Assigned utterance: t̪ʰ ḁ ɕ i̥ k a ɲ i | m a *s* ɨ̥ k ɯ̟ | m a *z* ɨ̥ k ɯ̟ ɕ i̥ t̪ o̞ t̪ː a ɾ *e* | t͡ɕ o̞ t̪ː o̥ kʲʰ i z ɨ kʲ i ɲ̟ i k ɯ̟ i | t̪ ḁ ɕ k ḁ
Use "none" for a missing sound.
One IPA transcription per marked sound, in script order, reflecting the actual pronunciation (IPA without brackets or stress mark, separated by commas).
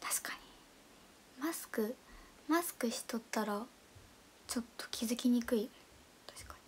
s, s, a